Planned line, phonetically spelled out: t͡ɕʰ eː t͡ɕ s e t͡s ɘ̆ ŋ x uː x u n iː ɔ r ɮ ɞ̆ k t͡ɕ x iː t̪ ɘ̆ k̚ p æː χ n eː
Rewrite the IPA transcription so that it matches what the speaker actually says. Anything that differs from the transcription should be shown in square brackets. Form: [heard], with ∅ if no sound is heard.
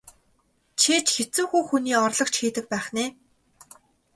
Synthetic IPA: t͡ɕʰ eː t͡ɕ [x] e t͡s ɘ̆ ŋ x uː x u n iː ɔ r ɮ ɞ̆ k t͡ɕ x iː t̪ ɘ̆ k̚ p æː χ n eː